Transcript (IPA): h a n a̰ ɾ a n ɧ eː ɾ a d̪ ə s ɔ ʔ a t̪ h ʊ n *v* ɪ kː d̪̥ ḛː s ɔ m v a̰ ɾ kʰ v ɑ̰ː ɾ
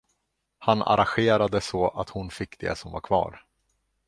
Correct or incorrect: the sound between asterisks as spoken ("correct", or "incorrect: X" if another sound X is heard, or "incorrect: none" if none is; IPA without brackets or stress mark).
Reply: incorrect: f